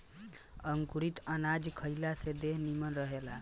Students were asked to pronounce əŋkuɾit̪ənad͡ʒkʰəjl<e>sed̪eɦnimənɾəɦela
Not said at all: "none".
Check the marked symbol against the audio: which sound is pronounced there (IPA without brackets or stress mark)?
a